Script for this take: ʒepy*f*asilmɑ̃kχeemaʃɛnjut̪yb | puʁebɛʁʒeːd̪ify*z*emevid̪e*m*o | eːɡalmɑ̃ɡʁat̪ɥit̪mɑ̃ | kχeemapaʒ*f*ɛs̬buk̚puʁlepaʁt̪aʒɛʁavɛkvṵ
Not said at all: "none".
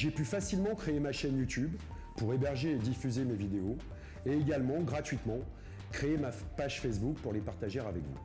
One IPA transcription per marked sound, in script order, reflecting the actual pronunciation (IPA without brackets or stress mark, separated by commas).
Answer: f, z, none, f